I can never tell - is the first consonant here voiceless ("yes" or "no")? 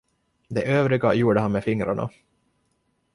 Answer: no